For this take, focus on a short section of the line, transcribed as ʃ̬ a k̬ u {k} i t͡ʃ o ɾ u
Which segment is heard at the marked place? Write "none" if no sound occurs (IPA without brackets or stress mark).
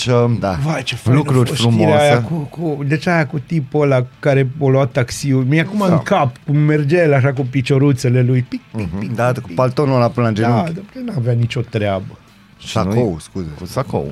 p